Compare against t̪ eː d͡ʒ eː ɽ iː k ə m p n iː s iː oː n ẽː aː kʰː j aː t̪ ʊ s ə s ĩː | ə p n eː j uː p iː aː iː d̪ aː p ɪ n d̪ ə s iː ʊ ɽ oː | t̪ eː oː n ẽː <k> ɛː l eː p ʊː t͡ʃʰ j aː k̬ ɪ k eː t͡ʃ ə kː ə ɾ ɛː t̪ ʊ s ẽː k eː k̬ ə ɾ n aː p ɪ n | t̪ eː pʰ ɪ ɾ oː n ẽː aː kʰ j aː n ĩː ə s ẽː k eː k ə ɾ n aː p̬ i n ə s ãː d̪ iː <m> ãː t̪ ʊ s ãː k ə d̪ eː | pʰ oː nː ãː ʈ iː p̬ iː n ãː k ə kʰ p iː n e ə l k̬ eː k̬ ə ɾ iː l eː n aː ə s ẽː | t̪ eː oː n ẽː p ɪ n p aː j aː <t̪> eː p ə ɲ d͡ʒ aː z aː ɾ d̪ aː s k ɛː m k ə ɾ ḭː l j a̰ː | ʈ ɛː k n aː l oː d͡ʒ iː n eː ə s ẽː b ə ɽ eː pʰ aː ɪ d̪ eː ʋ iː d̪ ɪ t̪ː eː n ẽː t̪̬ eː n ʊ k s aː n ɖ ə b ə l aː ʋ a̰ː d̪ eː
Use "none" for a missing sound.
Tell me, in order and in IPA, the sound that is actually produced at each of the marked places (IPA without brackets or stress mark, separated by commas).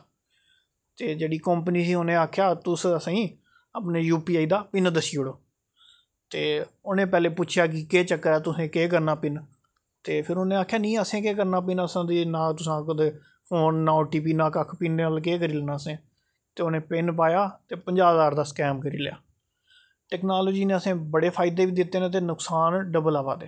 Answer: p, n, t̪